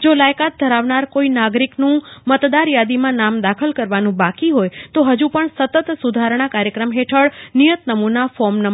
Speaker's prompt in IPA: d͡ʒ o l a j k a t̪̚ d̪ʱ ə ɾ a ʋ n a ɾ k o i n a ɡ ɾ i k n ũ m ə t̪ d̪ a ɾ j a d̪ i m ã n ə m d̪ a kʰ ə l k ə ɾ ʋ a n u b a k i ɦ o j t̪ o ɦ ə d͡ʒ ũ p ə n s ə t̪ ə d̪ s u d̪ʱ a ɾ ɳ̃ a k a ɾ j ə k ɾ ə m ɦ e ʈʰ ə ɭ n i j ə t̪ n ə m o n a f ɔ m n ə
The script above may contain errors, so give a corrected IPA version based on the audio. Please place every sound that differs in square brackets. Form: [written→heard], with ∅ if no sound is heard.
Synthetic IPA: d͡ʒ o l a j k a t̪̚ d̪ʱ ə ɾ a ʋ n a ɾ k o i n a ɡ ɾ i k n ũ m ə t̪ d̪ a ɾ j a d̪ i m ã n [ə→a] m d̪ a kʰ ə l k ə ɾ ʋ a n [u→ũ] b a k i ɦ o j t̪ o ɦ ə d͡ʒ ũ p ə [n→ɳ] s ə t̪ ə [d̪→t̪] s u d̪ʱ a ɾ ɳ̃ a k a ɾ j ə k ɾ ə m ɦ e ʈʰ ə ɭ n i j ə t̪ n ə m [o→u] n a f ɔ m n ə